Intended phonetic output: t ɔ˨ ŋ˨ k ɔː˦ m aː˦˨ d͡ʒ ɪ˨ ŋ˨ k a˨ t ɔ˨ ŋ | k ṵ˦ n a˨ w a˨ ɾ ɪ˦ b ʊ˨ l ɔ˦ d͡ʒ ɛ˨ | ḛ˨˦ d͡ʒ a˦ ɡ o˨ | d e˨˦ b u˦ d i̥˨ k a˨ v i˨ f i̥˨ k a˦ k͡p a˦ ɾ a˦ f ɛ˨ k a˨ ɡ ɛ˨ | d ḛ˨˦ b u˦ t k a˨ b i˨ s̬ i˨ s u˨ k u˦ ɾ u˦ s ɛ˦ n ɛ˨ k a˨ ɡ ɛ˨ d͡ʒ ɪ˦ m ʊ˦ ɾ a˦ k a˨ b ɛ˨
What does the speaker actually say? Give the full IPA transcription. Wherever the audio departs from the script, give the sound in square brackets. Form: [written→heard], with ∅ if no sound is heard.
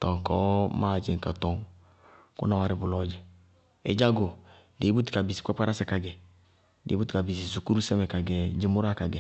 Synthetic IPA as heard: t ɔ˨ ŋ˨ k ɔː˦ m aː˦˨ d͡ʒ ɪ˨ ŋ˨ k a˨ t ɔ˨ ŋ | k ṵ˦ n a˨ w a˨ ɾ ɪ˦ b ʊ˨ l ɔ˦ d͡ʒ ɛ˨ | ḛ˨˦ d͡ʒ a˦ ɡ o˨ | d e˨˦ b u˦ [d→t] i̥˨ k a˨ [v→b] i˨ [f→s] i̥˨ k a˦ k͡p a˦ ɾ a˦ [f→s] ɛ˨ k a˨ ɡ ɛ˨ | d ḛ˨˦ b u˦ t k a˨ b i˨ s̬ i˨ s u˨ k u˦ ɾ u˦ s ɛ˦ [n→m] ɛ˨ k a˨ ɡ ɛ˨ d͡ʒ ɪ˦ m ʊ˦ ɾ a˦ k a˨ [b→ɡ] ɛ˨

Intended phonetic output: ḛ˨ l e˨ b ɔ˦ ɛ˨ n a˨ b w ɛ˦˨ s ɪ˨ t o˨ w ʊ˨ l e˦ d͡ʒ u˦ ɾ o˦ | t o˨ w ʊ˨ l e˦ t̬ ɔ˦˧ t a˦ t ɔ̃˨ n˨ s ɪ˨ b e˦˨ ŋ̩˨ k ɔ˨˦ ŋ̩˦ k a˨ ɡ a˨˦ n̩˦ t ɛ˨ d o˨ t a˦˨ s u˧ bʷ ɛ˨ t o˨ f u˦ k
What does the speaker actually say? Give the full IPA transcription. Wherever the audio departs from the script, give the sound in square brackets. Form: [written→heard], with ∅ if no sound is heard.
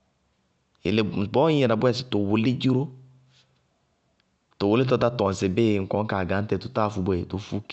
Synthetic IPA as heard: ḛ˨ l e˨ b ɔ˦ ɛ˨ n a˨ b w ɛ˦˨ s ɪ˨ t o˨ w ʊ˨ l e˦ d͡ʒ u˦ ɾ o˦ | t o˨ w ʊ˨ l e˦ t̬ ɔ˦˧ t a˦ t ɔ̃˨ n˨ s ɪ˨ b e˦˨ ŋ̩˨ k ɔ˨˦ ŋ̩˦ k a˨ ɡ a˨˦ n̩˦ t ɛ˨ [d→t] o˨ t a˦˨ [s→f] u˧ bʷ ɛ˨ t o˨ f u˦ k

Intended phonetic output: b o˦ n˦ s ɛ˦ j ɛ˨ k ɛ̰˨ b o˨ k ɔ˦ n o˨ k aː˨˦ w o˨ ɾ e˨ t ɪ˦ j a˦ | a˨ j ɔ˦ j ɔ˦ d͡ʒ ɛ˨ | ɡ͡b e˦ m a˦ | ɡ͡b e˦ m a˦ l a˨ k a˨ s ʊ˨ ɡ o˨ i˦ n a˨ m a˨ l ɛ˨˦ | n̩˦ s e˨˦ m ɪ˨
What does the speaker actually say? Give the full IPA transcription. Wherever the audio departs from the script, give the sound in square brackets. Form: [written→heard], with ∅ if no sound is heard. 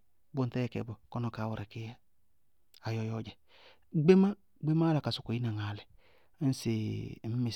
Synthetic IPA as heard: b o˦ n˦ [s→t] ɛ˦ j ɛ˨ k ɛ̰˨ b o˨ k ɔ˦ n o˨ k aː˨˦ w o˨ ɾ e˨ [t→k] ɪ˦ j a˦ | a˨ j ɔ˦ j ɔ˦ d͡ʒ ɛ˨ | ɡ͡b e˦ m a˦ | ɡ͡b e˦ m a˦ l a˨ k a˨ s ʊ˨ [ɡ→k] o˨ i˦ n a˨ [m→ŋ] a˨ l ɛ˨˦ | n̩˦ s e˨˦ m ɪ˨

